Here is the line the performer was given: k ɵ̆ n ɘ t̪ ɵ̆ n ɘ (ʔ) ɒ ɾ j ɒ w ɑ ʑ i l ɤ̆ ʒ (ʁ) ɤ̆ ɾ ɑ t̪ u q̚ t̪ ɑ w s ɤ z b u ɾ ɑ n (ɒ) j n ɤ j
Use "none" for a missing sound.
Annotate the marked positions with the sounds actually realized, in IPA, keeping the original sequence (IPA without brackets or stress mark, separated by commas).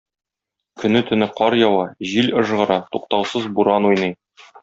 q, ʁ, u